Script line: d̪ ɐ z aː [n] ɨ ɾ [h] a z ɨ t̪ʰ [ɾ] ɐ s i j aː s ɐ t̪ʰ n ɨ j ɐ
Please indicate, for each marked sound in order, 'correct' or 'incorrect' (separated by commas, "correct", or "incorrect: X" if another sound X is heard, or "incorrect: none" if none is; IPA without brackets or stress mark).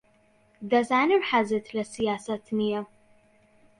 correct, incorrect: ħ, incorrect: l